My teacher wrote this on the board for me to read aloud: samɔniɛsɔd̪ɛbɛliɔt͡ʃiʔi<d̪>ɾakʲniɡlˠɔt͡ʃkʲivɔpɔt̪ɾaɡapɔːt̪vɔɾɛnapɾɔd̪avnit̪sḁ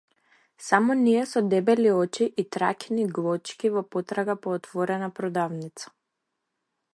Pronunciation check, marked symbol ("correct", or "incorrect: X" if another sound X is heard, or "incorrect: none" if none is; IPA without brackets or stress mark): incorrect: t̪